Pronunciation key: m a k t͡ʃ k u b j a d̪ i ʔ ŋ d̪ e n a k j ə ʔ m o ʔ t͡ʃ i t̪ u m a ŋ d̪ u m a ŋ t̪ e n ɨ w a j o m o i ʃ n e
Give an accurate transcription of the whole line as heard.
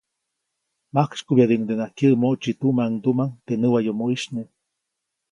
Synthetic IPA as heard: m a k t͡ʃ k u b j a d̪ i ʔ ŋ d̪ e n a k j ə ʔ m o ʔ t͡ʃ i t̪ u m a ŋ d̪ u m a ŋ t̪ e n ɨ w a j o m o i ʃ n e